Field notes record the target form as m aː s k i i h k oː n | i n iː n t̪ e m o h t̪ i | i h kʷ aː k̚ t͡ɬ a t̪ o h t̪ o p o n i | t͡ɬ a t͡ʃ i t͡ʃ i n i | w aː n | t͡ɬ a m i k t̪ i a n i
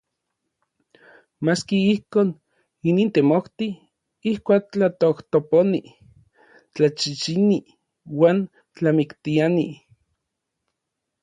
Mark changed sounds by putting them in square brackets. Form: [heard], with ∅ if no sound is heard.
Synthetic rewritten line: m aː s k i i h k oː n | i n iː n t̪ e m o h t̪ i | i h kʷ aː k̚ t͡ɬ a t̪ o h t̪ o p o n i | t͡ɬ a t͡ʃ i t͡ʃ i n i | w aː n | t͡ɬ a m i k t̪ i a n i